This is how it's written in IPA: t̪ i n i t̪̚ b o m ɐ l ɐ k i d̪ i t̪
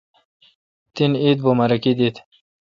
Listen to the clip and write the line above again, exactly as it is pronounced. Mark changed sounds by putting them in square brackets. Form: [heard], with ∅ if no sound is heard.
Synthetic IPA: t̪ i n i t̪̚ b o m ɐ [ɾ] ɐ k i d̪ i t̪